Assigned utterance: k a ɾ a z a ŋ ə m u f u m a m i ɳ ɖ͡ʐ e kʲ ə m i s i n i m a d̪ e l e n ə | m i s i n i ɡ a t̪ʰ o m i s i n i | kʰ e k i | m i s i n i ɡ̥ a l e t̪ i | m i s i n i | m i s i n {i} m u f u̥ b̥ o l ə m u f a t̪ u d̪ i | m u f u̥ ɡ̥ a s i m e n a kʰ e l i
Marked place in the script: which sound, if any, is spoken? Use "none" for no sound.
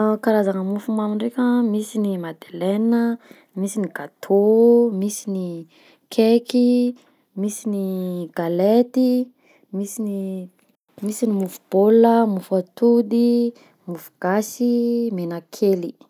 i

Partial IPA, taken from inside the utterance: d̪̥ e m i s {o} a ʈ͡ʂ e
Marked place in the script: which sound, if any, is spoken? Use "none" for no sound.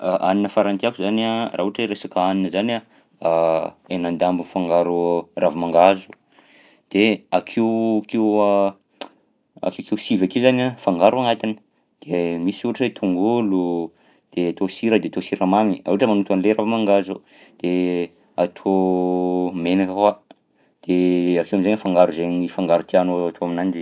u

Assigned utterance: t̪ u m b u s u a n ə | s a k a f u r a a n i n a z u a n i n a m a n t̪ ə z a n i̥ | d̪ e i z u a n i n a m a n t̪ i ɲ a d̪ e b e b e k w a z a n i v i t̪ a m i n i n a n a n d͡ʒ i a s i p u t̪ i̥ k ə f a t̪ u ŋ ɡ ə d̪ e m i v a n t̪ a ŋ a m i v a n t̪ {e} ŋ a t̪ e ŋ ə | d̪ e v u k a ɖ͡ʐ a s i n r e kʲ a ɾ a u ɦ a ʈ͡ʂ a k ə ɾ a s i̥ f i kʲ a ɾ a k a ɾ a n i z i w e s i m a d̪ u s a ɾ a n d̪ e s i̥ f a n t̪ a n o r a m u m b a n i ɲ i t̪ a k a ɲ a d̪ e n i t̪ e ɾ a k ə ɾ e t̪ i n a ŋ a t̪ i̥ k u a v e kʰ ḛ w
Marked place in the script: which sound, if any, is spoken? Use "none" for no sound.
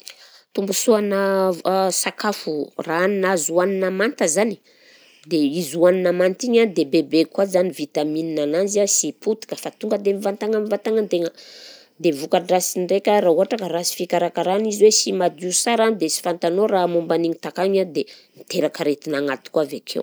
a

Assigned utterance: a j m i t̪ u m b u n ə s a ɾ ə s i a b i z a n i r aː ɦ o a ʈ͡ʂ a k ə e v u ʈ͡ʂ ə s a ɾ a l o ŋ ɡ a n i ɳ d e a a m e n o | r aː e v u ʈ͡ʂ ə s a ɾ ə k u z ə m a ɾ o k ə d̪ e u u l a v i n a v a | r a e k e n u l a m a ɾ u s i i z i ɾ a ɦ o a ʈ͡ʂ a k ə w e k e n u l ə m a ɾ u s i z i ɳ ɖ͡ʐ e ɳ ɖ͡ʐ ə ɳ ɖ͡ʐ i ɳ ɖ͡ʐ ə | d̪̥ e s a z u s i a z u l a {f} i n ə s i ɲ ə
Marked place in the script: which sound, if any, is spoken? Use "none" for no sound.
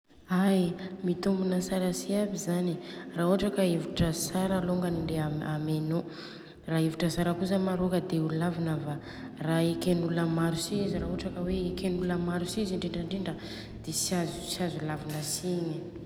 v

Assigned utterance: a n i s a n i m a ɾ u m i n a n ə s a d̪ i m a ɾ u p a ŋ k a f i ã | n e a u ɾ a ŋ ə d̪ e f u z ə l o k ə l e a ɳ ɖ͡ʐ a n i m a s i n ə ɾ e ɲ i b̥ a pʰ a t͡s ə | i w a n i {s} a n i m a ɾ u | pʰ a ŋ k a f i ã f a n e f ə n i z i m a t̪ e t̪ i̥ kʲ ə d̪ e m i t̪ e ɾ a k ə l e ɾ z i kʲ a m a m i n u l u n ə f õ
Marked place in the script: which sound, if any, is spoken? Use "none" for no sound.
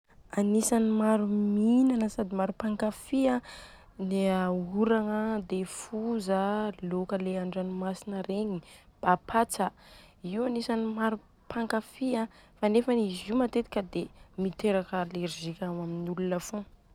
s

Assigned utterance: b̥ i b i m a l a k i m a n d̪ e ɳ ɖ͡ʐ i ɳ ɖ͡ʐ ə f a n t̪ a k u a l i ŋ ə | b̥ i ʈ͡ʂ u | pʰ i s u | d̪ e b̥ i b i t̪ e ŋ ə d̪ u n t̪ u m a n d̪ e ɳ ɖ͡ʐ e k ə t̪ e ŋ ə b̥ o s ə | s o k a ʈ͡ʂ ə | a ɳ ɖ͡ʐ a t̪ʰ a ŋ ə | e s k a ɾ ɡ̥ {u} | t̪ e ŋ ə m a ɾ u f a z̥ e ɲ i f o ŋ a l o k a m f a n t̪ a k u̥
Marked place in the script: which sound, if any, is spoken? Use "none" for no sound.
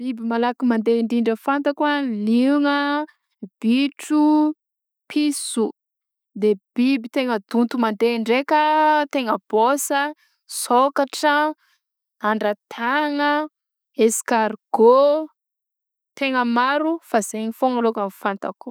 o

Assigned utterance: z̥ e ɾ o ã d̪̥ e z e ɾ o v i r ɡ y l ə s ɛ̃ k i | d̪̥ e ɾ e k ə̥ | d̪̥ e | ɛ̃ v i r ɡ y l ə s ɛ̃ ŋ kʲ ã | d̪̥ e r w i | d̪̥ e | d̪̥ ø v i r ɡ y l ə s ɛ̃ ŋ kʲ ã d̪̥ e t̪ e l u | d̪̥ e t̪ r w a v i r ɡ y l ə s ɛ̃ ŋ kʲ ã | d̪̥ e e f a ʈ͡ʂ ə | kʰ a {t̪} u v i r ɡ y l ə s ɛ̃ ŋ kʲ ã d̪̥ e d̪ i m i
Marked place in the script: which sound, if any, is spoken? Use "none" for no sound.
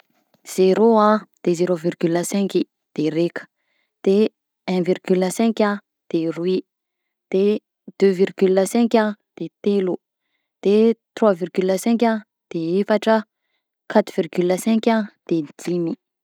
t̪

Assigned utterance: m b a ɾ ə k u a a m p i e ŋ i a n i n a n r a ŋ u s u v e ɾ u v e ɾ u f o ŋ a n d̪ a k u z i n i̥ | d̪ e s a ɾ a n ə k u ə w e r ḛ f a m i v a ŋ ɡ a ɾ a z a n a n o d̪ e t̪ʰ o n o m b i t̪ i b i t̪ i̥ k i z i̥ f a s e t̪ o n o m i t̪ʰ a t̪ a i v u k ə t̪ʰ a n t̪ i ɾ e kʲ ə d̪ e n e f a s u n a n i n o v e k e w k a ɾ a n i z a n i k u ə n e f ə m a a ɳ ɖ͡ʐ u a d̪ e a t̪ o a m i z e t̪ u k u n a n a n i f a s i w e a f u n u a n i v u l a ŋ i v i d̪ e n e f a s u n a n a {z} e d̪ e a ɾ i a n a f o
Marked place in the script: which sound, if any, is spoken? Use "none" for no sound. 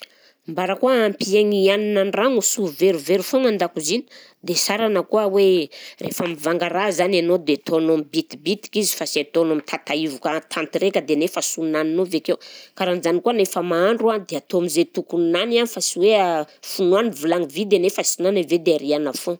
v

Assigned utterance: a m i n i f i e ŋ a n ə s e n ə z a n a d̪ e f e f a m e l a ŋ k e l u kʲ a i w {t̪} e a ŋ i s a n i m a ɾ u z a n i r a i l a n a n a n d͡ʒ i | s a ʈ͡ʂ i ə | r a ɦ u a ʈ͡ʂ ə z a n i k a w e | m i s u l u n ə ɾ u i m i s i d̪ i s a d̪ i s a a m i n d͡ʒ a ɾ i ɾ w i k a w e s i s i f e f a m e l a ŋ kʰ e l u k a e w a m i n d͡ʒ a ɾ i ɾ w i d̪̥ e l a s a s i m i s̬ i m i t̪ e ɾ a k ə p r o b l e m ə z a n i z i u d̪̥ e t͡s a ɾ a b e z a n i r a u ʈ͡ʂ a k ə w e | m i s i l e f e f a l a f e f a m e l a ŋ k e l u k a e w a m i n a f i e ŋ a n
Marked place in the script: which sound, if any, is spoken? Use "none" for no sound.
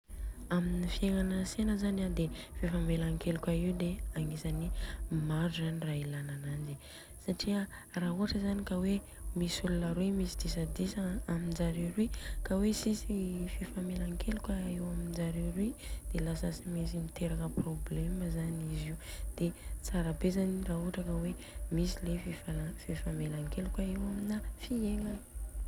d̪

